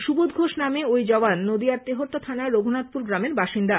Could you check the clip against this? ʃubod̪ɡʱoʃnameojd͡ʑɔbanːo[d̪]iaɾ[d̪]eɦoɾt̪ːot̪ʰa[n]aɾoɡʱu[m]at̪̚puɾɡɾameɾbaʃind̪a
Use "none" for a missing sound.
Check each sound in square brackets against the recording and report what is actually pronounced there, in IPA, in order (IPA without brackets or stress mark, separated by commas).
d̪, t̪, n, n